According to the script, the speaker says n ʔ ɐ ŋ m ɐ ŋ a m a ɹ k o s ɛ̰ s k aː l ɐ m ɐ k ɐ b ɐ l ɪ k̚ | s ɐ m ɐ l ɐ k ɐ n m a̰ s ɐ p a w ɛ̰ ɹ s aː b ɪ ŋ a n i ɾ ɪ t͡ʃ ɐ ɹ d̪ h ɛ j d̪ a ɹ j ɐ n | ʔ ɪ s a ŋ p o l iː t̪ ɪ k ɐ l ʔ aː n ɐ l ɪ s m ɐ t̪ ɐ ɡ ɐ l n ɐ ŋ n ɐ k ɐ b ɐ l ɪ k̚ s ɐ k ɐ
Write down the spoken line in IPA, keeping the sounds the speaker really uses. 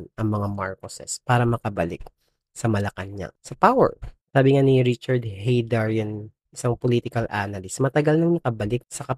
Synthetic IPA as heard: n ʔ ɐ ŋ m ɐ ŋ a m a ɹ k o s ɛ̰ s p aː ɾ ɐ m ɐ k ɐ b ɐ l ɪ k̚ | s ɐ m ɐ l ɐ k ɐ n ɲ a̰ s ɐ p a w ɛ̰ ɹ s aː b ɪ ŋ a n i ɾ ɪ t͡ʃ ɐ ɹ d̪ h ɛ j d̪ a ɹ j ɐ n | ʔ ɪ s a ŋ p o l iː t̪ ɪ k ɐ l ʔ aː n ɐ l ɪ s m ɐ t̪ ɐ ɡ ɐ l n ɐ ŋ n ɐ k ɐ b ɐ l ɪ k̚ s ɐ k ɐ